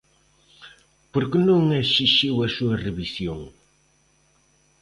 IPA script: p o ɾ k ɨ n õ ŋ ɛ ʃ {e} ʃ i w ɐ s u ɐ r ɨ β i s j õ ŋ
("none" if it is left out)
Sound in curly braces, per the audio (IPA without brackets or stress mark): i